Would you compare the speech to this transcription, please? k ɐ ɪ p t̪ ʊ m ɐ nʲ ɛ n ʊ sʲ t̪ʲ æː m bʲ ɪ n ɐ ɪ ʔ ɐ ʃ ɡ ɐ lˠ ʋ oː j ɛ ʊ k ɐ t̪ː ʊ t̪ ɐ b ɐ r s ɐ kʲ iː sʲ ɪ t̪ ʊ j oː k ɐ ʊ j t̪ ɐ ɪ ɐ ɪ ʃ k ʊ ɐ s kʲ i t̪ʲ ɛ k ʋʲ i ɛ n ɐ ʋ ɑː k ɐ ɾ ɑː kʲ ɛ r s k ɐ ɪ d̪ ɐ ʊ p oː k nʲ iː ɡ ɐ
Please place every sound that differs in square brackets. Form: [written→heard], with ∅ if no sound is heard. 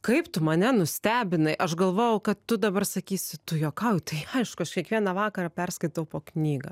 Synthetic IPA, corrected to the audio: k ɐ ɪ p t̪ ʊ m ɐ nʲ ɛ n ʊ sʲ t̪ʲ æː [m→∅] bʲ ɪ n ɐ ɪ ʔ ɐ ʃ ɡ ɐ lˠ ʋ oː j ɛ ʊ k ɐ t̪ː ʊ [t̪→d̪] ɐ b ɐ r s ɐ kʲ iː sʲ ɪ t̪ ʊ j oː k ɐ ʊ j t̪ ɐ ɪ ɐ ɪ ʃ k ʊ ɐ [s→ʃ] kʲ i [t̪ʲ→∅] ɛ k ʋʲ i ɛ n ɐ ʋ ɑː k ɐ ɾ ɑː [kʲ→pʲ] ɛ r s k ɐ ɪ [d̪→t̪] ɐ ʊ p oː k nʲ iː ɡ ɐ